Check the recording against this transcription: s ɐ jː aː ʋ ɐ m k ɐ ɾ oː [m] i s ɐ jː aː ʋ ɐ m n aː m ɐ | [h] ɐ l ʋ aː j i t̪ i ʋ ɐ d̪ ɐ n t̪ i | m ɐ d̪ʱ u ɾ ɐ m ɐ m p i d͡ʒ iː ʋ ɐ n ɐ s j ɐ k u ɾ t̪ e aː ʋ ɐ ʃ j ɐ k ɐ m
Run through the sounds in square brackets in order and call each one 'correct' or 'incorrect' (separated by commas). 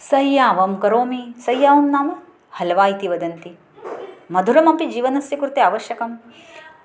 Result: correct, correct